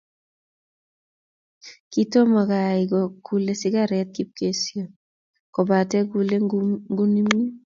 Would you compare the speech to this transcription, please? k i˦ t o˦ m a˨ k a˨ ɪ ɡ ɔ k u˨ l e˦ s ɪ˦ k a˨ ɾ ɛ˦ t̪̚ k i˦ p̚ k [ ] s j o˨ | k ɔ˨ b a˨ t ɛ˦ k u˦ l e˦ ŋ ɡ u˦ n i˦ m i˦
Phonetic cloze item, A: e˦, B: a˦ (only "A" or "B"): A